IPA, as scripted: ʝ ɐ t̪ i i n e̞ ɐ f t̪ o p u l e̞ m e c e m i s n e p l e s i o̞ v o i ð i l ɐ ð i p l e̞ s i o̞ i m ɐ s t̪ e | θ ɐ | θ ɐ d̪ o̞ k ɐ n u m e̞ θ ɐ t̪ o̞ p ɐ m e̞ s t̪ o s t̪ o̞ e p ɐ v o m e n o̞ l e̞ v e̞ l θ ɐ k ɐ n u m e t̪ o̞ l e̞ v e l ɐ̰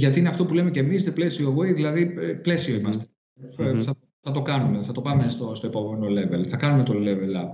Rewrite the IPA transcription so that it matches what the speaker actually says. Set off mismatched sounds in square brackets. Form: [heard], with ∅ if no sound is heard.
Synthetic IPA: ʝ ɐ t̪ i i n e̞ ɐ f t̪ o p u l e̞ m e c e m i s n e p l e s i o̞ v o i ð i l ɐ ð i p l e̞ s i o̞ i m ɐ s t̪ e | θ ɐ | θ ɐ [t̪] o̞ k ɐ n u m e̞ θ ɐ t̪ o̞ p ɐ m e̞ s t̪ o s t̪ o̞ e p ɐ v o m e n o̞ l e̞ v e̞ l θ ɐ k ɐ n u m e t̪ o̞ l e̞ v e l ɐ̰